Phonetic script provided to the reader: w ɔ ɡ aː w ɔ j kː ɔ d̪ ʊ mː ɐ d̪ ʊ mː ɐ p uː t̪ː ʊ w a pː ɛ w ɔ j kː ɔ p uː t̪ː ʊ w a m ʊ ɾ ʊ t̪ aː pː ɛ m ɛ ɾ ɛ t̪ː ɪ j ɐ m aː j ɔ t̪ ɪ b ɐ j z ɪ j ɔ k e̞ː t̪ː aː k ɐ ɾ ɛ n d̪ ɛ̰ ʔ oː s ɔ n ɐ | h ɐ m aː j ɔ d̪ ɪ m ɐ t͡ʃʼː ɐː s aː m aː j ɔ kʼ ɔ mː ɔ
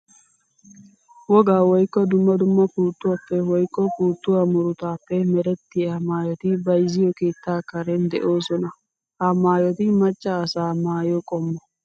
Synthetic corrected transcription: w ɔ ɡ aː w ɔ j kː ɔ d̪ ʊ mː ɐ d̪ ʊ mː ɐ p uː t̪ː ʊ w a pː ɛ w ɔ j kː ɔ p uː t̪ː ʊ w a m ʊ ɾ ʊ t̪ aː pː ɛ m ɛ ɾ ɛ t̪ː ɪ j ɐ m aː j ɔ t̪ ɪ b ɐ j z ɪ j ɔ k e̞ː t̪ː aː k ɐ ɾ ɛ n d̪ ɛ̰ ʔ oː s ɔ n ɐ | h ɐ m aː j ɔ t̪ ɪ m ɐ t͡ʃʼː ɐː s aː m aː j ɔ kʼ ɔ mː ɔ